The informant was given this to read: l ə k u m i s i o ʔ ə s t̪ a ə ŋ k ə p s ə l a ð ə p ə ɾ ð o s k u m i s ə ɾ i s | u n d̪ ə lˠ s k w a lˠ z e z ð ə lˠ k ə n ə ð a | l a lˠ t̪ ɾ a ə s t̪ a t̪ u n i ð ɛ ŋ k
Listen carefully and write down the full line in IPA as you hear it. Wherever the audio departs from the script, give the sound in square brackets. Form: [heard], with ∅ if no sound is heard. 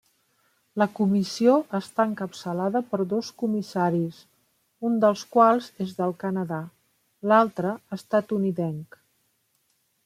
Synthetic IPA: l ə k u m i s i o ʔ ə s t̪ a ə ŋ k ə p s ə l a ð ə p ə ɾ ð o s k u m i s [a] ɾ i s | u n d̪ ə lˠ s k w a lˠ z e z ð ə lˠ k ə n ə ð a | l a lˠ t̪ ɾ [ə] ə s t̪ a t̪ u n i ð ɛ ŋ k